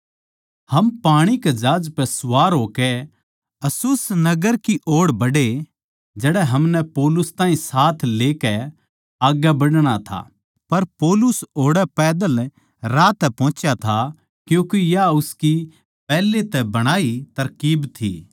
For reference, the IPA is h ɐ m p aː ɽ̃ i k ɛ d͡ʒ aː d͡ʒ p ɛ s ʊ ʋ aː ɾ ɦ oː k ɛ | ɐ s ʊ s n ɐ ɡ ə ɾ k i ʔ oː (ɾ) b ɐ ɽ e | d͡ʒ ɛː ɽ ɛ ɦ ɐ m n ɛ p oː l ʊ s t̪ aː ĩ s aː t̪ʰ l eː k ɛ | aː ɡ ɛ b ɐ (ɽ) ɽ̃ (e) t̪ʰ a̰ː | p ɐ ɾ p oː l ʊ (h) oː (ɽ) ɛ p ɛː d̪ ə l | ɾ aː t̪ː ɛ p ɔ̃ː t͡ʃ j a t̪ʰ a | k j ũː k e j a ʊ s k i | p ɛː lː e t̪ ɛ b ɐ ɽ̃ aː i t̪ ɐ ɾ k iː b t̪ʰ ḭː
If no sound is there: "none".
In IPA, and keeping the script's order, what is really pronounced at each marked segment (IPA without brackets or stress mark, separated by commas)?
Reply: ɽ, ɽ, a, s, ɽ